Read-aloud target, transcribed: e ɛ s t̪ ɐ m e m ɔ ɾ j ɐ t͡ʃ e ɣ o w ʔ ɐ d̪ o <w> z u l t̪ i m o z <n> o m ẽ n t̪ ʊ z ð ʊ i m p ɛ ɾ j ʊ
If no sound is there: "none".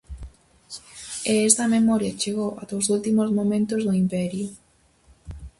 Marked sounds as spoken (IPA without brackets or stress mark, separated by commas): w, m